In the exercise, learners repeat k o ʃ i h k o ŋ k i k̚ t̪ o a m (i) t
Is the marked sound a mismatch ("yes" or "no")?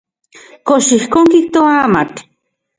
yes